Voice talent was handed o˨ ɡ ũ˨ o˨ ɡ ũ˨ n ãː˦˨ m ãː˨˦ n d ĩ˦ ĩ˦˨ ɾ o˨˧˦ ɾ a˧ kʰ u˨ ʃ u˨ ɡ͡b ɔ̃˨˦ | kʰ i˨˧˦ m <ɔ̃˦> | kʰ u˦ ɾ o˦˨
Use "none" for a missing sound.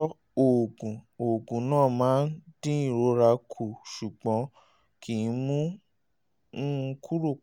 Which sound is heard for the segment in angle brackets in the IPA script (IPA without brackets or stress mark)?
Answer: ũ˦